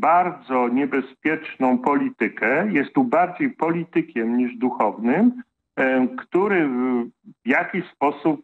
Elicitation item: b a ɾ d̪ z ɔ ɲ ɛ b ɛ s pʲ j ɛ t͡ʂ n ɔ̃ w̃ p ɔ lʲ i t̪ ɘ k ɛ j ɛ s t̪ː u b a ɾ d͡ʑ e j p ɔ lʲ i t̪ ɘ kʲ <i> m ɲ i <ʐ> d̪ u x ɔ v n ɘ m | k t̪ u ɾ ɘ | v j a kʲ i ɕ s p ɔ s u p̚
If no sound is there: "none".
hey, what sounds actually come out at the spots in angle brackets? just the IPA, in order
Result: ɛ, ʐ

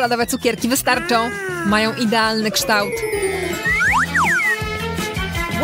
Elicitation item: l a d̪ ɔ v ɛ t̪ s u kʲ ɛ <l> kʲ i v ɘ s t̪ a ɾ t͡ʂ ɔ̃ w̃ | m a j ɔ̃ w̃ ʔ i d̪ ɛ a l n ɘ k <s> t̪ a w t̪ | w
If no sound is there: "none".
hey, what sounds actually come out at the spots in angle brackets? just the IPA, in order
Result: ɾ, ʂ

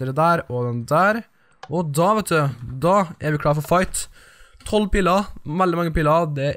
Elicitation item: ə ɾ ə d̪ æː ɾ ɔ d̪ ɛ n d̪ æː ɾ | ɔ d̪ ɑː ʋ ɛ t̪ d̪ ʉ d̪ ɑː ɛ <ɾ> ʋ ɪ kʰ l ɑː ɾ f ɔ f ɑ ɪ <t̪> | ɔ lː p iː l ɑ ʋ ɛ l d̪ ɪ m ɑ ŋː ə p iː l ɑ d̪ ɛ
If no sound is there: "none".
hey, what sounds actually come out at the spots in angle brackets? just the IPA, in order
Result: ɾ, t̪ʰ

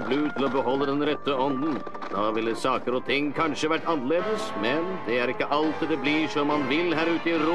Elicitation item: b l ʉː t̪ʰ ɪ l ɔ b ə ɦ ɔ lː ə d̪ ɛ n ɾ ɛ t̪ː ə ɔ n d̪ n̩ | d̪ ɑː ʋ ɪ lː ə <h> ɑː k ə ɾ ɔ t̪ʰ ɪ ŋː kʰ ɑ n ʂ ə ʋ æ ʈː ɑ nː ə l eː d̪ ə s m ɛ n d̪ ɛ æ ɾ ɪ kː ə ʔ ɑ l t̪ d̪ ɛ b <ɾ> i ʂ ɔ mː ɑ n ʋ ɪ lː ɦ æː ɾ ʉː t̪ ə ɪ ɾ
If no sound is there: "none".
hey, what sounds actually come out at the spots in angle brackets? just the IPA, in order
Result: s, l

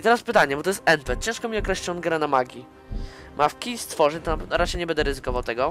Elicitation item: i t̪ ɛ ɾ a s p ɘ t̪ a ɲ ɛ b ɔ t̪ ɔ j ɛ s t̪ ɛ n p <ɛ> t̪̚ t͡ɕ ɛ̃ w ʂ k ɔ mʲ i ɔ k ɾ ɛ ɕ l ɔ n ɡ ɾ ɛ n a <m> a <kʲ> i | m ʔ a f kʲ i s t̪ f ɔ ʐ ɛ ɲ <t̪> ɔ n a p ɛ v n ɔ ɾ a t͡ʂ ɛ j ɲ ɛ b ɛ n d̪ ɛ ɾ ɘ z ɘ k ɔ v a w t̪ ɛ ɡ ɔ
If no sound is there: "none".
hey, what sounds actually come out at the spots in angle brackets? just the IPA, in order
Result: ɛ, m, ɡʲ, t̪

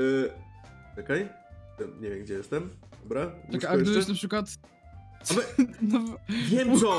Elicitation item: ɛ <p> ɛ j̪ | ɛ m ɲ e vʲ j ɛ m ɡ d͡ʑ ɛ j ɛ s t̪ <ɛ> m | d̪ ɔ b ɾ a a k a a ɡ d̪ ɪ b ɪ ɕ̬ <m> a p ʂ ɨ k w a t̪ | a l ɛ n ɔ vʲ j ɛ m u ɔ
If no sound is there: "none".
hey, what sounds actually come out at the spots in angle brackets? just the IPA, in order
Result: k, ɛ, n

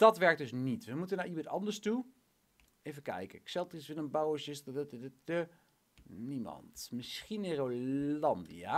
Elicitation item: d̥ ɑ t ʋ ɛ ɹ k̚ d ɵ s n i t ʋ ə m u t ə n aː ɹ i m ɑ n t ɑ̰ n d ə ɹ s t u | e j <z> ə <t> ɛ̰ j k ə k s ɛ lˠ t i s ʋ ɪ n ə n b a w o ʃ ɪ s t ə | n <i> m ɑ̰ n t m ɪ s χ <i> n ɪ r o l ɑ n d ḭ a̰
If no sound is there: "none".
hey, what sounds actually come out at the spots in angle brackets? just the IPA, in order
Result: v, k, i, i

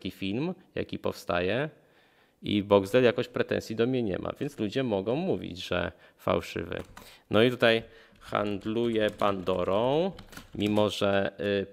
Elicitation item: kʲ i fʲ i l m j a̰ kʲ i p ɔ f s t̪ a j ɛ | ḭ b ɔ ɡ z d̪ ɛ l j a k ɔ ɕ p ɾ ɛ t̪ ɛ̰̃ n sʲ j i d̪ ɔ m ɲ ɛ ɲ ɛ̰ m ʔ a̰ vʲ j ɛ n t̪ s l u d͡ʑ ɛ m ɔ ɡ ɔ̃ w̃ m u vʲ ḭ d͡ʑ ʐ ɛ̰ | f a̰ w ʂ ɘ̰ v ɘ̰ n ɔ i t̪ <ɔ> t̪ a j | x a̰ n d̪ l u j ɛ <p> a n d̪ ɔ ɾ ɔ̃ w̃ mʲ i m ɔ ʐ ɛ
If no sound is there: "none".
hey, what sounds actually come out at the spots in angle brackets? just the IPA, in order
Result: u, p

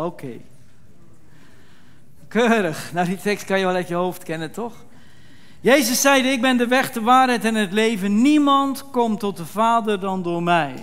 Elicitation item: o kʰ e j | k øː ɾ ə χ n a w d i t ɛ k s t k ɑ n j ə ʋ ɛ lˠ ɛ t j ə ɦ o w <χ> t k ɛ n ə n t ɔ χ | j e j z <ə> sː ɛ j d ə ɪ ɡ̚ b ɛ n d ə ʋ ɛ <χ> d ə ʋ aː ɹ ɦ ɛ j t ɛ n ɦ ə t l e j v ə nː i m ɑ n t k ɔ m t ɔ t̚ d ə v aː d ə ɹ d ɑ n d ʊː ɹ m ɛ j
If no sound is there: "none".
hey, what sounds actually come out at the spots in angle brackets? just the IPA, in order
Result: f, ə, χ

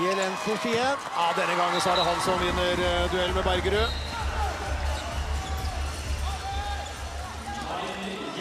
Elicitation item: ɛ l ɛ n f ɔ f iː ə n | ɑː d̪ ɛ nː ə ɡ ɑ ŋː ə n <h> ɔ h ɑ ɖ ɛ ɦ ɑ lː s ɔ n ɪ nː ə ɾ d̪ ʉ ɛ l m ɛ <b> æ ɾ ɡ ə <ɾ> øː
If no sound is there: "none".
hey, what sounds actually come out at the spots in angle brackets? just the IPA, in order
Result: s, b, ɾ

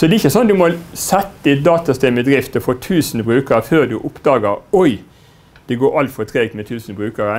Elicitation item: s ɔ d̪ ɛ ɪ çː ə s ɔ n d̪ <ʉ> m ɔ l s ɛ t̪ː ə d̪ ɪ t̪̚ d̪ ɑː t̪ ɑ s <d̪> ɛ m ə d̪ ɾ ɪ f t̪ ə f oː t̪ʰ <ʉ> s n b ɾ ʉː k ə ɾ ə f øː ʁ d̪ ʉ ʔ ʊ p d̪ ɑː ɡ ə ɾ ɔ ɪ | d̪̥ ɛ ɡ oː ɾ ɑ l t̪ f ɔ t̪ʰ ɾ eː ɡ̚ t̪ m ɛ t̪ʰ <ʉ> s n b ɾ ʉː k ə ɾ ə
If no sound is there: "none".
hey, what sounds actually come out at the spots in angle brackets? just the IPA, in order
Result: ʉ, t̪, ʉː, ʉː

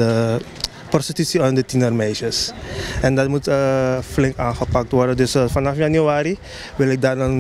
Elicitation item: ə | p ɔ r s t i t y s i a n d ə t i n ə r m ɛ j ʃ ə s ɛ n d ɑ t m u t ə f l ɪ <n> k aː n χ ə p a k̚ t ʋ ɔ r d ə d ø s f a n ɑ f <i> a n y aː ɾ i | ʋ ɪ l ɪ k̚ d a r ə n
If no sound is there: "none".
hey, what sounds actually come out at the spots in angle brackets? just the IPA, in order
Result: ŋ, j

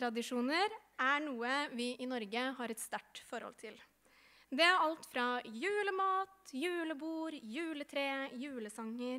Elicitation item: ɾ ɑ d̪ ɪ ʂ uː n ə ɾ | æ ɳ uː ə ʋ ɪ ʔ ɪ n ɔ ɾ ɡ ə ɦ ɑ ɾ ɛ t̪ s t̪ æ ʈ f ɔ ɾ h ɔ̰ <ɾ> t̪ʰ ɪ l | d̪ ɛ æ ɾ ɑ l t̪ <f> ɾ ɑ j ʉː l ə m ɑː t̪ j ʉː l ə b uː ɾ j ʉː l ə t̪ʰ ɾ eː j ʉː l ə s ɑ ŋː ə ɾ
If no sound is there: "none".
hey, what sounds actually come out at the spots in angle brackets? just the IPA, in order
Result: l, f

